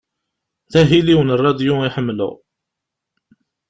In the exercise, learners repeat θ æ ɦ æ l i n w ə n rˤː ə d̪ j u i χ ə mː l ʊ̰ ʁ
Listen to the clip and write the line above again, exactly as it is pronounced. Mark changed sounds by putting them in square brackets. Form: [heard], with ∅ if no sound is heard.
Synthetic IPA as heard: θ æ ɦ [i] l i [∅] w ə n rˤː [ɑ] d̪ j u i [ħ] ə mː l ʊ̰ ʁ